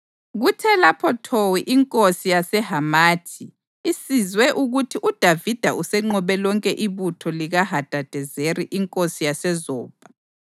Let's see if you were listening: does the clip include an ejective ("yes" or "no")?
yes